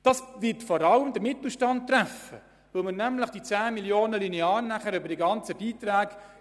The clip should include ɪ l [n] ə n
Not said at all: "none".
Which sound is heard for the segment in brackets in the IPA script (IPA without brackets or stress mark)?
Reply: m